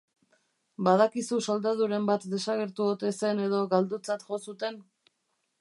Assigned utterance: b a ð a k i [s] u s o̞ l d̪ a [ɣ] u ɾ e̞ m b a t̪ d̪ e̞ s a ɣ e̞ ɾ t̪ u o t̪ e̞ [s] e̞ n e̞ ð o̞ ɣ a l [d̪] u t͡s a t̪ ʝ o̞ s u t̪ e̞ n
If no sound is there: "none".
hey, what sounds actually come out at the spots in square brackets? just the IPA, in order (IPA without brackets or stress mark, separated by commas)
s, ð, s, d̪